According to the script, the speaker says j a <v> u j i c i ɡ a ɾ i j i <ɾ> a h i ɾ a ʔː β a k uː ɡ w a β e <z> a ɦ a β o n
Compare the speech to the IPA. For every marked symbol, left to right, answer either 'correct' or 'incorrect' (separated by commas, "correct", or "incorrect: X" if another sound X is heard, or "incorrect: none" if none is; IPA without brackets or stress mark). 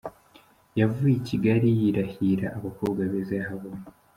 correct, correct, correct